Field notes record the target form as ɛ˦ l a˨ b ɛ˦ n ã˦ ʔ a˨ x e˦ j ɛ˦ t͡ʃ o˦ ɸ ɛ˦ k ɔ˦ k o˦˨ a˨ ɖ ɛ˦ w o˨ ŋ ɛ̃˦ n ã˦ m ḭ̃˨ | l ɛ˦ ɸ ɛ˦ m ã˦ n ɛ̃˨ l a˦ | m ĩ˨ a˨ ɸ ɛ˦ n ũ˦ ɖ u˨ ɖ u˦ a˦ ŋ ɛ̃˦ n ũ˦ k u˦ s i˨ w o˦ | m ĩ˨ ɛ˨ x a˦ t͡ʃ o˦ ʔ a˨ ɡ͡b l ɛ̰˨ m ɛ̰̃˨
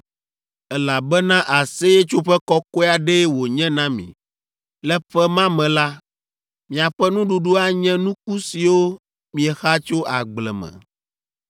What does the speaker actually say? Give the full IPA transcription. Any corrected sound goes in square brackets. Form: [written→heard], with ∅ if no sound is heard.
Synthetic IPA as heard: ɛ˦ l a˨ b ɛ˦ n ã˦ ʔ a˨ [x→s] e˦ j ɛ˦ t͡ʃ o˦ ɸ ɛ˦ k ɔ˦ k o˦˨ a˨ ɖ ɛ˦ w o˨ [ŋ→ɲ] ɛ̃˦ n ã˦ m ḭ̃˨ | l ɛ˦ ɸ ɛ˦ m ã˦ [n→m] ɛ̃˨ l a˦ | m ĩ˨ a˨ ɸ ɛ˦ n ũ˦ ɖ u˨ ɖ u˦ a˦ [ŋ→ɲ] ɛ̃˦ n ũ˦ k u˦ s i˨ w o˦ | m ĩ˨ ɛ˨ x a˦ t͡ʃ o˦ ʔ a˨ ɡ͡b l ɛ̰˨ m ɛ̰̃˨